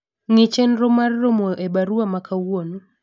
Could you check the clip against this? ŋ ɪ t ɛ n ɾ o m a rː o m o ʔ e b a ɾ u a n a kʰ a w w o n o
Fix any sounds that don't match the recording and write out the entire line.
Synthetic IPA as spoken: ŋ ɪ t͡ʃ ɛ n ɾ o m a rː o m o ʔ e b a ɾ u a m a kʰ a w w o n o